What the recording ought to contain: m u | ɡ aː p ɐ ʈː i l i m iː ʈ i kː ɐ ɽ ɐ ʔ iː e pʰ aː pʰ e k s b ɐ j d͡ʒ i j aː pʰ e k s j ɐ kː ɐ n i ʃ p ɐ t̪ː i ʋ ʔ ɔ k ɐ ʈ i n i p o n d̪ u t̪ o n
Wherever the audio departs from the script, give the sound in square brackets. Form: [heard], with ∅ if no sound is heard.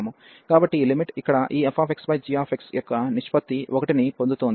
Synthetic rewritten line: m u | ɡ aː [b] ɐ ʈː i l i m [i] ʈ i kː ɐ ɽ ɐ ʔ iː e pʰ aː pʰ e k s b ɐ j d͡ʒ i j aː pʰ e k s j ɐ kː ɐ n i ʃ p ɐ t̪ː i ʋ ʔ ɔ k ɐ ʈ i n i p o n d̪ u t̪ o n

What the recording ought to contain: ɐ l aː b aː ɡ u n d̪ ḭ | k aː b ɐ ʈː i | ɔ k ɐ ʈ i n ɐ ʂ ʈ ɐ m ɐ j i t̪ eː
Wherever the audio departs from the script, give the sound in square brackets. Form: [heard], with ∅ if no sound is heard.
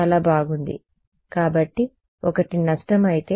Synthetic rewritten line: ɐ l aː b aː ɡ u n d̪ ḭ | k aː b ɐ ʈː i | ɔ k ɐ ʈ i n ɐ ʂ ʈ ɐ m ɐ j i t̪ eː

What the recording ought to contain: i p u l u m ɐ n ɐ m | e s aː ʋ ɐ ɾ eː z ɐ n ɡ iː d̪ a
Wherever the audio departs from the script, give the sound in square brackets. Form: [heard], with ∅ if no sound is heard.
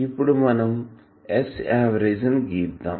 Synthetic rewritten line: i p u [ɽ] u m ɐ n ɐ m | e s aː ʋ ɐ ɾ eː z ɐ n ɡ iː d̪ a

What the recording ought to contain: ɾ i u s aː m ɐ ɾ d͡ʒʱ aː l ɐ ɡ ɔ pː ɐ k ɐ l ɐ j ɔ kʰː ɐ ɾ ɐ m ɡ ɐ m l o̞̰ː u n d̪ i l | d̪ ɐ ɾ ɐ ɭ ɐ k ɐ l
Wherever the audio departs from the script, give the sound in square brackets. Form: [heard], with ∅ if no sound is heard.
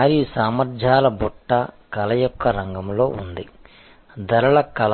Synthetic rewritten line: ɾ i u s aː m ɐ ɾ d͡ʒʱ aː l ɐ [b] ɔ [ʈː] ɐ k ɐ l ɐ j ɔ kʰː ɐ ɾ ɐ [ŋ] ɡ ɐ m l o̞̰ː u n d̪ i [∅] | d̪ ɐ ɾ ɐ ɭ ɐ k ɐ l

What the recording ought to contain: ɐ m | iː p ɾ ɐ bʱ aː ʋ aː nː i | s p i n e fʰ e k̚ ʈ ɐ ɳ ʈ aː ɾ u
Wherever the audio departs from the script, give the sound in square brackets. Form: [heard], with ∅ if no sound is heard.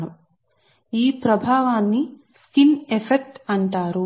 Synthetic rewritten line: ɐ m | iː p ɾ ɐ bʱ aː ʋ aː nː i | s [k] i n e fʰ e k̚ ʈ ɐ ɳ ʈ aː ɾ u

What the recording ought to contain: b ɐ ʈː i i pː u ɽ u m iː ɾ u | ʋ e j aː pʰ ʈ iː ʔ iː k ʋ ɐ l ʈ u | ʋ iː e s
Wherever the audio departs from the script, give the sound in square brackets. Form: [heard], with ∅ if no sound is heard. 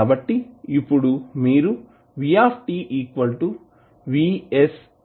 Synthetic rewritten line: b ɐ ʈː i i pː u ɽ u m iː ɾ u | ʋ [i] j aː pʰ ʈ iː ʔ iː k ʋ ɐ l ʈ u | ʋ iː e s

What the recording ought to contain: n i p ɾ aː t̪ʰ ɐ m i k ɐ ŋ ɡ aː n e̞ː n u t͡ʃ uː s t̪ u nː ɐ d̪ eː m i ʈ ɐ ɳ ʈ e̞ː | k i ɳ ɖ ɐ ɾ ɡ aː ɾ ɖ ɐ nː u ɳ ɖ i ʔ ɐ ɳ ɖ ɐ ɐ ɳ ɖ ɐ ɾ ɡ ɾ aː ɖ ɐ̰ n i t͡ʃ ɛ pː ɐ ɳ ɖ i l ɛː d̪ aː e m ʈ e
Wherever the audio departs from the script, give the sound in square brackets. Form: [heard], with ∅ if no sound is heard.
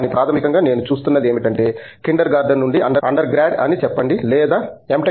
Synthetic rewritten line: n i p ɾ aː t̪ʰ ɐ m i k ɐ ŋ ɡ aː n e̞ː n u t͡ʃ uː s t̪ u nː ɐ d̪ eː m i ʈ ɐ ɳ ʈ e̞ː | k i ɳ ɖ ɐ ɾ ɡ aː ɾ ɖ ɐ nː u ɳ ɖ i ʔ ɐ ɳ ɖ ɐ ɐ ɳ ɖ ɐ ɾ ɡ ɾ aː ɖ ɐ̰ n i t͡ʃ ɛ pː ɐ ɳ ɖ i l ɛː d̪ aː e m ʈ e

